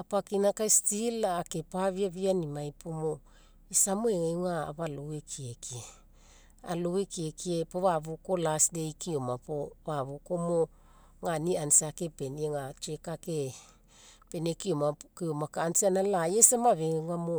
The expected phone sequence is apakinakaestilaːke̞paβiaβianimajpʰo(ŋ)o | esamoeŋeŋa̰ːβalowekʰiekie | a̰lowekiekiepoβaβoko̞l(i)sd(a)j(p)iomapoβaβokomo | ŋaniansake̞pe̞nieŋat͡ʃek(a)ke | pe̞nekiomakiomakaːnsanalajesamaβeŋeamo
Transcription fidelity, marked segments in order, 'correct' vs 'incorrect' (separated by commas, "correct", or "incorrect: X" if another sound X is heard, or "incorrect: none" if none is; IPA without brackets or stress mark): incorrect: m, incorrect: a, incorrect: e, incorrect: k, correct